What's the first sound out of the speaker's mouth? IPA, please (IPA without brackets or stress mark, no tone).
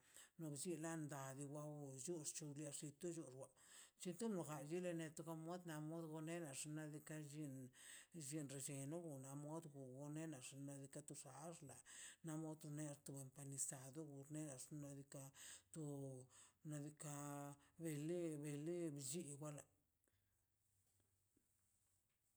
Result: n